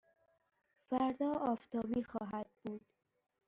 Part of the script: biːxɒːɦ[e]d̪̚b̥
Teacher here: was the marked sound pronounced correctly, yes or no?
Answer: no